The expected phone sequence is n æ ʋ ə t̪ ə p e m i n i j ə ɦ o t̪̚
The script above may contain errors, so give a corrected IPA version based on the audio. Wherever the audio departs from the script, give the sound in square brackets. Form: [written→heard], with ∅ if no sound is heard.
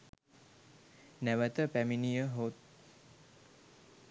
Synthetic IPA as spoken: n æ ʋ ə t̪ ə p [e→æ] m i n i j ə ɦ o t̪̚